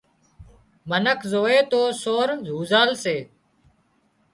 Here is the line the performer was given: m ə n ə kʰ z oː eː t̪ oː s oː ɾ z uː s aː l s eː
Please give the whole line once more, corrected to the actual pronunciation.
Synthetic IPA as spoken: m ə n ə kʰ z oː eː t̪ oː s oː ɾ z uː z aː l s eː